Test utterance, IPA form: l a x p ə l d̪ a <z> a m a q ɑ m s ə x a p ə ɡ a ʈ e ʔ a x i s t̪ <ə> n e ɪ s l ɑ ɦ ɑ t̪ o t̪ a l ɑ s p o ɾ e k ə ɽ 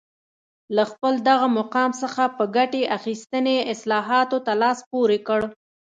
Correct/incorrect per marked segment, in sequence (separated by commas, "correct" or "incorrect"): incorrect, correct